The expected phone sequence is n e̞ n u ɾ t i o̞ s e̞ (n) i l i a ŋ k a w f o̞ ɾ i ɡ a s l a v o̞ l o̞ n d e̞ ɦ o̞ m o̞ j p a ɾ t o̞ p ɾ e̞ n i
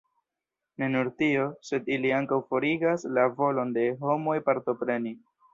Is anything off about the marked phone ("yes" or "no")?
yes